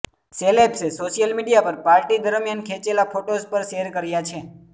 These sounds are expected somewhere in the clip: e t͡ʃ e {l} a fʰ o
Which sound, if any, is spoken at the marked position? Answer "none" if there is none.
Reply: l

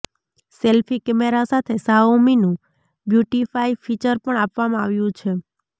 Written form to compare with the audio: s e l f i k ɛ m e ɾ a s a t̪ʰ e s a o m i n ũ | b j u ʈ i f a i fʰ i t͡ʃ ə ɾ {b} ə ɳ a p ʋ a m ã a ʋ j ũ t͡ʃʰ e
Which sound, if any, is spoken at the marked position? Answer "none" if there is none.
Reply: p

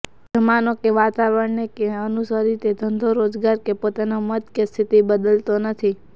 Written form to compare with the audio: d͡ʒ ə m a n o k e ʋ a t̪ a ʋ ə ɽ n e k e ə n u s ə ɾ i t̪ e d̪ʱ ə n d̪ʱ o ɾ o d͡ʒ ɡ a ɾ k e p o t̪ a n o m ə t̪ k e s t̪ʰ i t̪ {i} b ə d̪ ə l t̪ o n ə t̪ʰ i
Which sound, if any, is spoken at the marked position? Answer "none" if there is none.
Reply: i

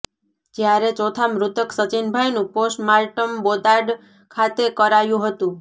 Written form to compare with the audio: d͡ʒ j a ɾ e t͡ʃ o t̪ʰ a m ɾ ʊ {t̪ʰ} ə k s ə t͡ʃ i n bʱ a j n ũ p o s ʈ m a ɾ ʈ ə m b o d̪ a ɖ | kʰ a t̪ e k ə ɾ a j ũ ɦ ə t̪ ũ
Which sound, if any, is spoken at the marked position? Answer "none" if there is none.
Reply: t̪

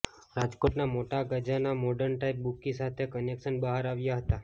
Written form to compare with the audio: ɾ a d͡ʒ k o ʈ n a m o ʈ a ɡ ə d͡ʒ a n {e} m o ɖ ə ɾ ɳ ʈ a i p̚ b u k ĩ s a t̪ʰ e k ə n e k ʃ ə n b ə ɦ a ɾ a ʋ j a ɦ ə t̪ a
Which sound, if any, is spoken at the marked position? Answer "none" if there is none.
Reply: a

